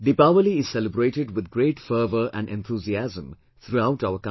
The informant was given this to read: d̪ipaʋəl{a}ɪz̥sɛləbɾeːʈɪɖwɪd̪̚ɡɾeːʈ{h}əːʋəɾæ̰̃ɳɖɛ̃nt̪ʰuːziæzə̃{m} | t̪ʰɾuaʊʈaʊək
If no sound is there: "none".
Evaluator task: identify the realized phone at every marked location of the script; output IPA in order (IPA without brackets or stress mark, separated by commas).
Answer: i, f, m